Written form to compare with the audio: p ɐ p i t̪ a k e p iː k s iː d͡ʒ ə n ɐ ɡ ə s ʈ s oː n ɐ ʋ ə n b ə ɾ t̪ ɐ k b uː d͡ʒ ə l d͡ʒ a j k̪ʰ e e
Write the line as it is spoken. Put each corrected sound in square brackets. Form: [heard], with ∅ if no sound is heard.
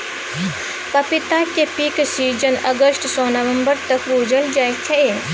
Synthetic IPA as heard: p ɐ p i t̪ a k e p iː k s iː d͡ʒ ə n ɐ ɡ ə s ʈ s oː n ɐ ʋ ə [m] b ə ɾ t̪ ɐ k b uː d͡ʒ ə l d͡ʒ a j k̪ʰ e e